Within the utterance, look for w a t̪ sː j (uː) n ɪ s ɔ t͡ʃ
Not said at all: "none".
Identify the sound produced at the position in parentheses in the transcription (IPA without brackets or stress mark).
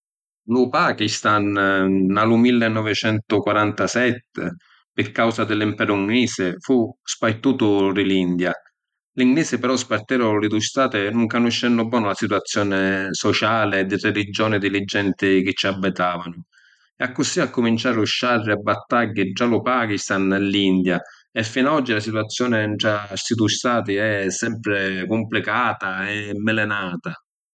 ɔː